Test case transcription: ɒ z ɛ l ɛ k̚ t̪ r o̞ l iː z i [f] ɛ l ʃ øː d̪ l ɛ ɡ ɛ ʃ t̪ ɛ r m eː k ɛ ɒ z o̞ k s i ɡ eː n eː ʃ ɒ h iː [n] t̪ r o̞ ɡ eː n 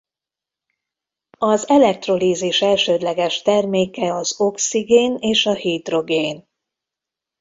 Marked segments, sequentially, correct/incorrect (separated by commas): incorrect, incorrect